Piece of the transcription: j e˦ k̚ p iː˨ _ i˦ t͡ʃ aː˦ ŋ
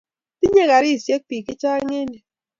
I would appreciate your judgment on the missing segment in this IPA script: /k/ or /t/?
k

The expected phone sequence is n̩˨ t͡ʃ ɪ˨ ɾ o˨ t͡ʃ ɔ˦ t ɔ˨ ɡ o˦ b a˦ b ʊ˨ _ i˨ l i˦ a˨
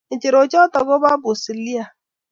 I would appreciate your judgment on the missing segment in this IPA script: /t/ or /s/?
s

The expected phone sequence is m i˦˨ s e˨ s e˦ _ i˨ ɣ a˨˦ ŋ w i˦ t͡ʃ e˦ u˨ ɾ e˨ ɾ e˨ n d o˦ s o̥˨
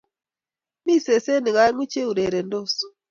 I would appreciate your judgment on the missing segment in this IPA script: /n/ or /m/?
n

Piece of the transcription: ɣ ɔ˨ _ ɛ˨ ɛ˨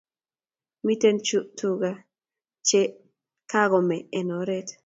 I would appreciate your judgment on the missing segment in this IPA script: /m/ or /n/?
m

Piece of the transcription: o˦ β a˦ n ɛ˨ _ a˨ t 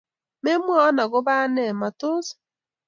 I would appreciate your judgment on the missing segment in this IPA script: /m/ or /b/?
m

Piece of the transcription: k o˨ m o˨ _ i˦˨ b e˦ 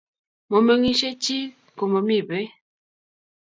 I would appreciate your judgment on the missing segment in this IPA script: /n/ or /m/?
m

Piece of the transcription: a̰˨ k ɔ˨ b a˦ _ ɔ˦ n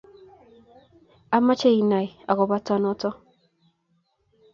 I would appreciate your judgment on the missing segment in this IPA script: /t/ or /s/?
t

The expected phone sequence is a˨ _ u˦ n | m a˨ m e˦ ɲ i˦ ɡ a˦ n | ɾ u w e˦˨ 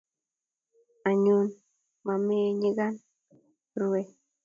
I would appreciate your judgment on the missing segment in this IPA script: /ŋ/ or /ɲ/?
ɲ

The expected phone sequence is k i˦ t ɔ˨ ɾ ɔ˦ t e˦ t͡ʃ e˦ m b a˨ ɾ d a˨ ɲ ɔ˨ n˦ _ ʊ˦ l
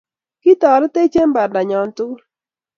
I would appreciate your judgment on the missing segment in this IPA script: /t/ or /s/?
t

